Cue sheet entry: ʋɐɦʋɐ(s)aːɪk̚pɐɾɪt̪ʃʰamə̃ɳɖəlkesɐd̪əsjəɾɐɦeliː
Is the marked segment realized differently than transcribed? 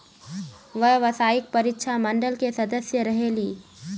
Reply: no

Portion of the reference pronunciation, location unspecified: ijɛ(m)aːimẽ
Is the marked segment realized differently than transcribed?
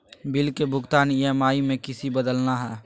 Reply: no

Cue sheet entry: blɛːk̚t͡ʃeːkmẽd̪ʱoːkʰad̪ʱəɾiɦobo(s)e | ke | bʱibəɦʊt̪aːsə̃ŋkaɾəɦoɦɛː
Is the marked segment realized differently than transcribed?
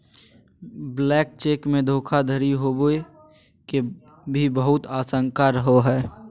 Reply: yes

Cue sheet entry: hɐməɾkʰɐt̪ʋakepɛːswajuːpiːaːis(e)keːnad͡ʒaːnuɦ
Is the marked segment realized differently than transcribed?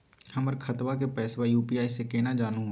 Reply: no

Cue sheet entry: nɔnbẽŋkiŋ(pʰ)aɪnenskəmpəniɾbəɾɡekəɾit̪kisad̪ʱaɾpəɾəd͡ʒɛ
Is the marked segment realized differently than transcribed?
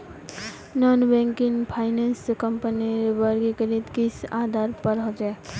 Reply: no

